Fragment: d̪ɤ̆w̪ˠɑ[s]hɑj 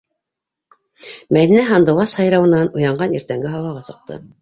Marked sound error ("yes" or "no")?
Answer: no